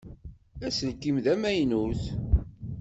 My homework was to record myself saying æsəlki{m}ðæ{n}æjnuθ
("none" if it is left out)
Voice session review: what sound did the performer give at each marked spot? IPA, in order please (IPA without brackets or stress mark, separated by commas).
m, m